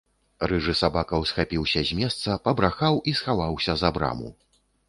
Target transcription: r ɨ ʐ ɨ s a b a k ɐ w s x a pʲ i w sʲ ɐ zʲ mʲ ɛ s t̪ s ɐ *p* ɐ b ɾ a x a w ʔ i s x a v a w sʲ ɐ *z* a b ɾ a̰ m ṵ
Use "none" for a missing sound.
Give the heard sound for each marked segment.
p, z

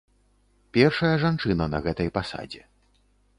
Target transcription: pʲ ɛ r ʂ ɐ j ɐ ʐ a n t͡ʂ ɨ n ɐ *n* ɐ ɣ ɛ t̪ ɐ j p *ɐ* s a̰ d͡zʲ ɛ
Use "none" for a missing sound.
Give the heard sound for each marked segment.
n, a

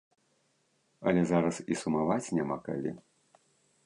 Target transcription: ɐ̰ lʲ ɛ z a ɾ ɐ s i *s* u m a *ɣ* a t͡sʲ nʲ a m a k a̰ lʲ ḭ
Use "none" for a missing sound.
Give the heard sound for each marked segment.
s, v

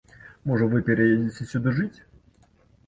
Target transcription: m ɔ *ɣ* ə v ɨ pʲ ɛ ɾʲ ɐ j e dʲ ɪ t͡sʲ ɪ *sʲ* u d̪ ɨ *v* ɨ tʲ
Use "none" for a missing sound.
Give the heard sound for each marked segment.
ʐ, sʲ, ʐ

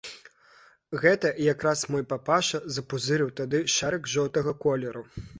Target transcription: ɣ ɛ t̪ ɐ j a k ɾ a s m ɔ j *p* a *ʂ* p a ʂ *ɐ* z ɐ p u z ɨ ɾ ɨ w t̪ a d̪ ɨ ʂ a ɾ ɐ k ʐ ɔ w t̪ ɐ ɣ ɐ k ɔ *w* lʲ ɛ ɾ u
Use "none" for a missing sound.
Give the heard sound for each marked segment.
p, none, ɐ, none

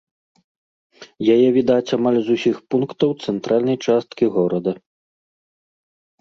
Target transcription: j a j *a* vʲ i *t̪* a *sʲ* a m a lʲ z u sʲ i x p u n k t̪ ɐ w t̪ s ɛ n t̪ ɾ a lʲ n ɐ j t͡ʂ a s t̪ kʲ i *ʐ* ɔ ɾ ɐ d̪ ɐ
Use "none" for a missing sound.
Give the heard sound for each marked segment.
ɛ, d̪, t͡sʲ, ɣ

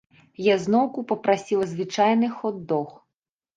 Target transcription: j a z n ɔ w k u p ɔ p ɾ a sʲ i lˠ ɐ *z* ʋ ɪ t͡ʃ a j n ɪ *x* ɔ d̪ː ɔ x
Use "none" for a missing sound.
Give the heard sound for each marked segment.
z, x

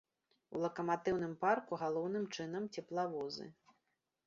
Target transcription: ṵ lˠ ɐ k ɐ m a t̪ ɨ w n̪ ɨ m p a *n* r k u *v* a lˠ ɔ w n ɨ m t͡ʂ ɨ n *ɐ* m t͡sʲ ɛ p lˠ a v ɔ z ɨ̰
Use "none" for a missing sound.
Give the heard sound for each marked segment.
none, ɣ, ɐ

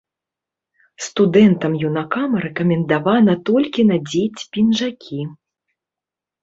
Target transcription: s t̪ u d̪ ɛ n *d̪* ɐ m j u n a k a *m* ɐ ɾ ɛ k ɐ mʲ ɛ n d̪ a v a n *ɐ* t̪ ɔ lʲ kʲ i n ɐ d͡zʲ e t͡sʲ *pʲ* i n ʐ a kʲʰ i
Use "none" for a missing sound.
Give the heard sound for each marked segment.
t̪, m, ɐ, pʲ

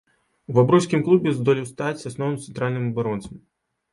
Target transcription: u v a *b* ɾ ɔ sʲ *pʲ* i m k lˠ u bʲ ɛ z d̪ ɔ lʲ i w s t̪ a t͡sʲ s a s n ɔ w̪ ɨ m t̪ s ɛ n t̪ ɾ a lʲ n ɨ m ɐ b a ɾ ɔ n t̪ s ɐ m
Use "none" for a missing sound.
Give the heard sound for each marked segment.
b, kʲ

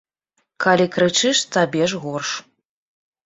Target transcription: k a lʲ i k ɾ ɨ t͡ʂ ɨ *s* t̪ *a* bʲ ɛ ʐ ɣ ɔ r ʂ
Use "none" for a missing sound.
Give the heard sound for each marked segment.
ʂ, a

